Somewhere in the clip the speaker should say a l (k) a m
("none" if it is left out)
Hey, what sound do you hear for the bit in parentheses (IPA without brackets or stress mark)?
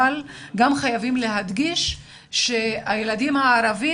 ɡ